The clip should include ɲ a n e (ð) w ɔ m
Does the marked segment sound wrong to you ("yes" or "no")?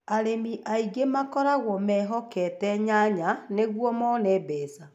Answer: yes